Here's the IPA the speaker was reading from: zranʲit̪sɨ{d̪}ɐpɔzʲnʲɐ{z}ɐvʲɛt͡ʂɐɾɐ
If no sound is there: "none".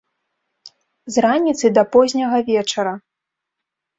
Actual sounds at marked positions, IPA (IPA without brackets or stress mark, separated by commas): d̪, ɣ